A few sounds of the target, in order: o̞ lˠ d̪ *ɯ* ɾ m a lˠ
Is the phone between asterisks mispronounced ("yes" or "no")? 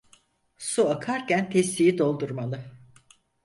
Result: yes